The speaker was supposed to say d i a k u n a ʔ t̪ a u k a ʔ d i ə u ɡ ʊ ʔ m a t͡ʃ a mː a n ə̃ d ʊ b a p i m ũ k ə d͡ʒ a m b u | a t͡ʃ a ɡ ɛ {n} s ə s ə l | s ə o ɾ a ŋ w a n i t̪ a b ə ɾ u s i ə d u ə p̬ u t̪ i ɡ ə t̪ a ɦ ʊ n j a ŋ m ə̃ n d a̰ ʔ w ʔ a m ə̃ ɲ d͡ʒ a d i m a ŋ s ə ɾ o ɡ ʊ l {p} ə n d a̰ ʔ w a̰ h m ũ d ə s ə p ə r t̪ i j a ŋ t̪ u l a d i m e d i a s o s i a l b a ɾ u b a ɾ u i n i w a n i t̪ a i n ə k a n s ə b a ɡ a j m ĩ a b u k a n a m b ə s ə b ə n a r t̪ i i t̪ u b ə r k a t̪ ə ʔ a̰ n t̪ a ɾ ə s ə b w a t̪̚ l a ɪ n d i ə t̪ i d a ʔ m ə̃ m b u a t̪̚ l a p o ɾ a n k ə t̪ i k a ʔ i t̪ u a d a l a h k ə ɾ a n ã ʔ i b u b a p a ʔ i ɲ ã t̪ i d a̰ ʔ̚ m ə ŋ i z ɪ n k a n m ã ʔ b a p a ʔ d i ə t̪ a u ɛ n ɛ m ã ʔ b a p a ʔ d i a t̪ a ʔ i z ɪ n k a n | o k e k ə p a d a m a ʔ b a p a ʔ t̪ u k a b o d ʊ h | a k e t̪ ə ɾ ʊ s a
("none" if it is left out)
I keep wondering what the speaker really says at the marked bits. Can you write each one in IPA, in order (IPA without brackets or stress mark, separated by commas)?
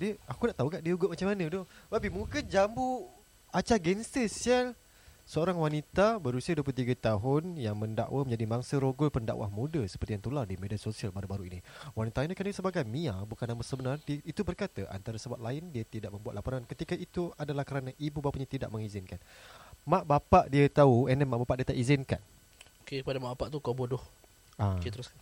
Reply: n, p